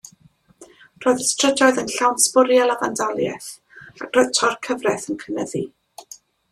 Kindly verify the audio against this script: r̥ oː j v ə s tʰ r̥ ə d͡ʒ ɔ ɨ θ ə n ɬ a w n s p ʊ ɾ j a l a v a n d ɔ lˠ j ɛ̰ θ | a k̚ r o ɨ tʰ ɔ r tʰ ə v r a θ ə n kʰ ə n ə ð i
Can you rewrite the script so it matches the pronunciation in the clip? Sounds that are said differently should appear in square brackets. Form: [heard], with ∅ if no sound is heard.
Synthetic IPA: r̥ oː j [ð] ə s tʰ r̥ ə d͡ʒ ɔ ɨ [ð] ə n ɬ a w n s p ʊ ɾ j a l a v a n d ɔ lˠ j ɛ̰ θ | a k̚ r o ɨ tʰ ɔ r [kʰ] ə v r [ɛ] θ ə n kʰ ə n ə ð i

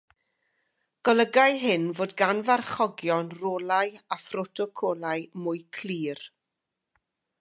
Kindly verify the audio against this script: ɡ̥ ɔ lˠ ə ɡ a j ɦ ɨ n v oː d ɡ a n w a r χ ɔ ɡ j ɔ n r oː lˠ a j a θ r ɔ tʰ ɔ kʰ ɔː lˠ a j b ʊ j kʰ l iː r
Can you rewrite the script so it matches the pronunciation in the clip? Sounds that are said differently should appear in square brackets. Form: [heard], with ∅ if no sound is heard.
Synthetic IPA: ɡ̥ ɔ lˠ ə ɡ a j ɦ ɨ n v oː d ɡ a n [v] a r χ ɔ ɡ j ɔ n r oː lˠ a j a [f] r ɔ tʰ ɔ kʰ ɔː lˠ a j [m] ʊ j kʰ l iː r

